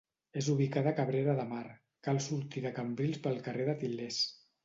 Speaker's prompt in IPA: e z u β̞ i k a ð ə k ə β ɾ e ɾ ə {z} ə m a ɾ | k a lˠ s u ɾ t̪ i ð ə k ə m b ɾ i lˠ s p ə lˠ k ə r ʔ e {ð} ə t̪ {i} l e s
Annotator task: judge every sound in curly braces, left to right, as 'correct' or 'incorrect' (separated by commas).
incorrect, correct, correct